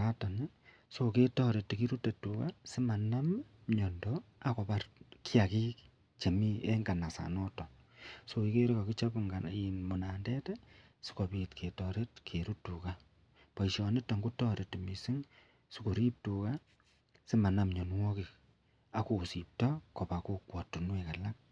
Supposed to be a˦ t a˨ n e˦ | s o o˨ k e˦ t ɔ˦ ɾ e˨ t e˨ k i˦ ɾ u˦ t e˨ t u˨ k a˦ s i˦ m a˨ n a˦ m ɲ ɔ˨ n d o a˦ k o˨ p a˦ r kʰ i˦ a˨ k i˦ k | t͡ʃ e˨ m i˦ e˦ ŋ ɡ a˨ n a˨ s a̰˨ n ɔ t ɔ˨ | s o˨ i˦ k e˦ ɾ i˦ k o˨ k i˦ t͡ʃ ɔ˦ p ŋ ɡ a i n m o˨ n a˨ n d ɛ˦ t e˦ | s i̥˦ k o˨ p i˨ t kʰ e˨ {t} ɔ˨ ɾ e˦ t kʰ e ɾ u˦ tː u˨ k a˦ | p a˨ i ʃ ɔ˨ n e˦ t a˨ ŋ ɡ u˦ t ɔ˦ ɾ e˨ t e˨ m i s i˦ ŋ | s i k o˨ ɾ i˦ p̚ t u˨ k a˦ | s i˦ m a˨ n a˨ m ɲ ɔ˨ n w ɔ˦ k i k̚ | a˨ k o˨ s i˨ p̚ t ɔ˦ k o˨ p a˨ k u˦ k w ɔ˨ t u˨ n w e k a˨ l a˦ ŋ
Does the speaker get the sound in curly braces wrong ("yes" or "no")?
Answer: no